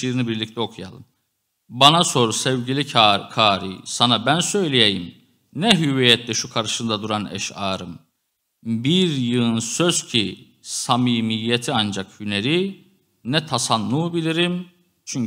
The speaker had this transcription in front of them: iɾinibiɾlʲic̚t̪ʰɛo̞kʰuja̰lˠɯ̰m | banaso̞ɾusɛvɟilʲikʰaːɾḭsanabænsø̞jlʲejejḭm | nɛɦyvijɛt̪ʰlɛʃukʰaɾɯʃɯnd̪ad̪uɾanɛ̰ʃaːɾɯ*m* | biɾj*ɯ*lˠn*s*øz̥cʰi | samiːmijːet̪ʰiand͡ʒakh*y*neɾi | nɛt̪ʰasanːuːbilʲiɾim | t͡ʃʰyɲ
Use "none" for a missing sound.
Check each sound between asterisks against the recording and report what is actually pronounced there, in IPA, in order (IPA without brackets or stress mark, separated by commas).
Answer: m, ɯ, s, y